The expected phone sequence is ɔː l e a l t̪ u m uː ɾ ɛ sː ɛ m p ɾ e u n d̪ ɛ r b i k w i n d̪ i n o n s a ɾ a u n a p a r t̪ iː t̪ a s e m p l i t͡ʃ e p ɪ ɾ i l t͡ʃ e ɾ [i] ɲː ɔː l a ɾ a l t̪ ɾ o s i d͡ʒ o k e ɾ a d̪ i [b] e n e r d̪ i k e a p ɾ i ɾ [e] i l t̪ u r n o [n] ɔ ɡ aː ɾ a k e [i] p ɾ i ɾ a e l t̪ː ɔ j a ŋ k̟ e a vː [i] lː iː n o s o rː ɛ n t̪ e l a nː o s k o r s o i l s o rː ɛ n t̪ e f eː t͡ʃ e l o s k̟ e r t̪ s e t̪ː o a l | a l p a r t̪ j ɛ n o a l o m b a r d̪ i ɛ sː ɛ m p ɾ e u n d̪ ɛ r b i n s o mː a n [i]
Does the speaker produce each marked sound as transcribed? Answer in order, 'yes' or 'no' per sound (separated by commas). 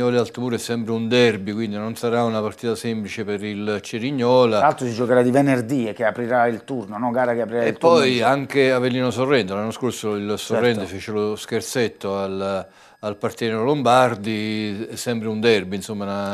yes, no, no, yes, no, no, no